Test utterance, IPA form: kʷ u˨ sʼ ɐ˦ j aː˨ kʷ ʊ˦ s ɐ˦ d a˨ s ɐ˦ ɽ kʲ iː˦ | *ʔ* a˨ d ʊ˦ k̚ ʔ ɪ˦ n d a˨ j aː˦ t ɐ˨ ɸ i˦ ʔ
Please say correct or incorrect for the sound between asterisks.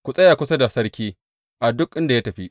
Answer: correct